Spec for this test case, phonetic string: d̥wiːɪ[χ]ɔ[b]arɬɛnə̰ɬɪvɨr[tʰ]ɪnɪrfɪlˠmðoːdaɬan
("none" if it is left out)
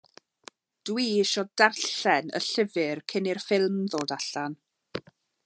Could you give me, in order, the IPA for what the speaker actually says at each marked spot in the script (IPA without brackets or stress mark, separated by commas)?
ʃ, d, kʰ